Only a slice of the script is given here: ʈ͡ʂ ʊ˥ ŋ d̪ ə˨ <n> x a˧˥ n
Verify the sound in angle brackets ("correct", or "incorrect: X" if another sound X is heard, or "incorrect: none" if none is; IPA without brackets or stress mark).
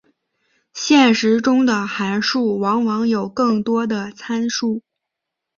incorrect: none